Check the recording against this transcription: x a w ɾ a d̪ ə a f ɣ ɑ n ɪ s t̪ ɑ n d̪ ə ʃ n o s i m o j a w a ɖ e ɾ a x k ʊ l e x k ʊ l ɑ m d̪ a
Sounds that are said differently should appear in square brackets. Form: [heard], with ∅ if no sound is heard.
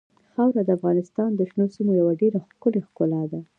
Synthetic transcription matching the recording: x a w ɾ a d̪ ə a f ɣ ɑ n ɪ s t̪ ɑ n d̪ ə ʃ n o s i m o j a w a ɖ e ɾ a x k ʊ l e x k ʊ l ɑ [∅] d̪ a